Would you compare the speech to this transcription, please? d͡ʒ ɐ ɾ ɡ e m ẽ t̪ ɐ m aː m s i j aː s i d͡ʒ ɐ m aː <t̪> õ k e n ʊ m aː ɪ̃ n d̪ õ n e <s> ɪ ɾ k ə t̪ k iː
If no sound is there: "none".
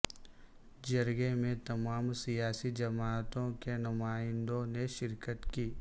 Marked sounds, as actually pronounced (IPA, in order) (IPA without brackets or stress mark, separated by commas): t̪, ʃ